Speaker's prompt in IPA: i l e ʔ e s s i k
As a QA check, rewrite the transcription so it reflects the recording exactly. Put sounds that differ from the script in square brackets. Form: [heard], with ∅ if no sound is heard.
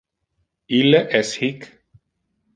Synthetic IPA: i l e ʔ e s [h] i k

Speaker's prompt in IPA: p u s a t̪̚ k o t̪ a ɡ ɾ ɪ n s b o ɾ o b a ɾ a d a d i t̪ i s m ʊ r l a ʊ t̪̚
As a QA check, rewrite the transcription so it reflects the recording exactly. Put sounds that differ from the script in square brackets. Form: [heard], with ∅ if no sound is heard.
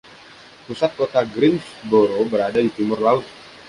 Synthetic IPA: p u s a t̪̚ k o t̪ a ɡ ɾ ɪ n s b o ɾ o b [ə] ɾ a d a d i t̪ i [∅] m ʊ r l a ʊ t̪̚

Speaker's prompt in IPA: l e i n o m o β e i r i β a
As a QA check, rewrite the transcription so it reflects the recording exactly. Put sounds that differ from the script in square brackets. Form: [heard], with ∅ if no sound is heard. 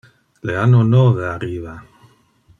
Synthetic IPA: l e [a] n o [n] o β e [a] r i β a

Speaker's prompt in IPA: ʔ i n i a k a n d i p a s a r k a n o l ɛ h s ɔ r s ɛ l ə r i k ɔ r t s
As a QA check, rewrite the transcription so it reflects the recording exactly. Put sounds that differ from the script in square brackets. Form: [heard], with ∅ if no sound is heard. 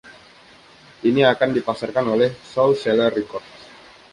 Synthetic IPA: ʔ i n i a k a n d i p a s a r k a n o l ɛ h s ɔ [l] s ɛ l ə r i k ɔ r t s

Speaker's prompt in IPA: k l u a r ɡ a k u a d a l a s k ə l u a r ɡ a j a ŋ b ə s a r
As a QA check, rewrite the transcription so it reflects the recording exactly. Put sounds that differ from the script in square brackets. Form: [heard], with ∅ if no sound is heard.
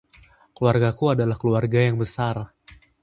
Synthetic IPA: k l u a r ɡ a k u a d a l a [h] k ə l u a r ɡ a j a ŋ b ə s a r

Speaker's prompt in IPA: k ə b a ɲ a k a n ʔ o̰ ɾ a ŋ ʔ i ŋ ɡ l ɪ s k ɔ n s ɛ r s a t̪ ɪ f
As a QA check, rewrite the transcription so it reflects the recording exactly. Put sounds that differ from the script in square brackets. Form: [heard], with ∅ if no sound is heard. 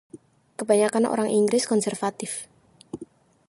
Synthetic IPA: k ə b a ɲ a k a n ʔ o̰ ɾ a ŋ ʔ i ŋ ɡ [ɾ] ɪ s k ɔ n s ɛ r [f] a t̪ ɪ f

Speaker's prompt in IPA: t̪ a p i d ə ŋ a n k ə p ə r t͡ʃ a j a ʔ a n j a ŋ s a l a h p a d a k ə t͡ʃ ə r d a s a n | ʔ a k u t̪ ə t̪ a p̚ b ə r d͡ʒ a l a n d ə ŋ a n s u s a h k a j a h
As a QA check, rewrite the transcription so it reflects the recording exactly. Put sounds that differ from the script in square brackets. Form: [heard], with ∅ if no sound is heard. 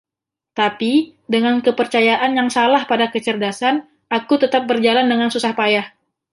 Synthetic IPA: t̪ a p i d ə ŋ a n k ə p ə r t͡ʃ a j a ʔ a n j a ŋ s a l a h p a d a k ə t͡ʃ ə r d a s a n | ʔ a k u t̪ ə t̪ a p̚ b ə r d͡ʒ a l a n d ə ŋ a n s u s a h [p] a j a h

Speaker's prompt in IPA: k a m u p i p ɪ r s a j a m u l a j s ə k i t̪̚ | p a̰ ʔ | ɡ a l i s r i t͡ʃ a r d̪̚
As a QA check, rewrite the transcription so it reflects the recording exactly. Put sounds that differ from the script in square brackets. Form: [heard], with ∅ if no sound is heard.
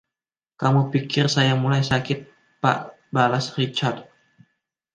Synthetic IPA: k a m u p i [k] ɪ r s a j a m u l a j s [a] k [ɪ] t̪̚ | p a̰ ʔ | [b] a l [a] s r i t͡ʃ a r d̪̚

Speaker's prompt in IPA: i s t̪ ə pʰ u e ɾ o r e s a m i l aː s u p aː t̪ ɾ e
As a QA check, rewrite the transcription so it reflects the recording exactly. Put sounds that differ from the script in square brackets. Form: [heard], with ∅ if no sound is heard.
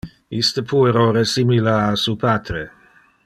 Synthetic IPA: i s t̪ ə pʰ u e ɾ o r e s [i] m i l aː s u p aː t̪ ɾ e

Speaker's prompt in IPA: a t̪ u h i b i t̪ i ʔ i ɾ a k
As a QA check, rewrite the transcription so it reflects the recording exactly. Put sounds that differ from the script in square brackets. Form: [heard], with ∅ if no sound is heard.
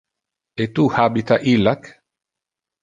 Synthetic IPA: [e] t̪ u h [a] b i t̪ [a] ʔ i [l] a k

